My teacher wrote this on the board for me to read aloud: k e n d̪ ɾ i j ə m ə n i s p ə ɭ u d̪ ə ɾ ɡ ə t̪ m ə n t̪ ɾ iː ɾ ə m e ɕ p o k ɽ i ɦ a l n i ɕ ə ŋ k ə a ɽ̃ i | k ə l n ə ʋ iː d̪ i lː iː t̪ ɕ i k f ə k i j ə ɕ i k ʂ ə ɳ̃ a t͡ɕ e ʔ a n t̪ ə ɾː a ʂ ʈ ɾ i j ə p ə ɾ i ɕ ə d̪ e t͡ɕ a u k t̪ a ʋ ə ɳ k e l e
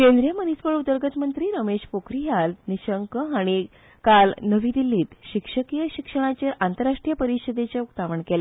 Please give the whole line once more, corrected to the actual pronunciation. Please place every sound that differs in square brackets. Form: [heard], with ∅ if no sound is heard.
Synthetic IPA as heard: k e n d̪ ɾ i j ə m ə n i s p ə ɭ u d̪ ə ɾ ɡ ə t̪ m ə n t̪ ɾ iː ɾ ə m e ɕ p o k [ɾ] i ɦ a l n i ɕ ə ŋ k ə a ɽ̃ i | k [a] l n ə ʋ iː d̪ i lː iː t̪ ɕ i k [ʂ] ə k i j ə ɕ i k ʂ ə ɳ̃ a t͡ɕ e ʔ a n t̪ ə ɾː a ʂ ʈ ɾ i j ə p ə ɾ i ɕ ə d̪ e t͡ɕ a u k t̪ a ʋ ə ɳ k e l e